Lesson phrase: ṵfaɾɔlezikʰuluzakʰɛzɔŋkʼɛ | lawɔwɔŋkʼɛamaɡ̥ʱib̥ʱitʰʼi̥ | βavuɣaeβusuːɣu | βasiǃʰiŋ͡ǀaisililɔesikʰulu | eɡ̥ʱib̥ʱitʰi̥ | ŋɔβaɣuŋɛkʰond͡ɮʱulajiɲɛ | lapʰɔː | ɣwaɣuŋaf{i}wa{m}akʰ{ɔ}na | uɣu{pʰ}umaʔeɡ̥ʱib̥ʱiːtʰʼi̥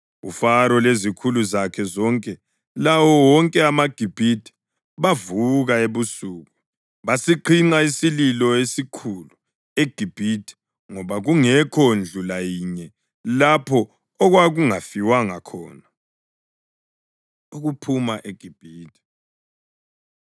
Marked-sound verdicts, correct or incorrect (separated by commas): correct, incorrect, incorrect, correct